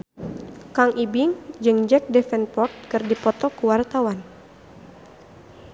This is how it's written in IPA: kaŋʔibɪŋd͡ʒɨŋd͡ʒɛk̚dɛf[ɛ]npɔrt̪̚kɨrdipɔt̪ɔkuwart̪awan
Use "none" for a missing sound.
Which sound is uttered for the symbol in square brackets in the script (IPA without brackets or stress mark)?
ɛ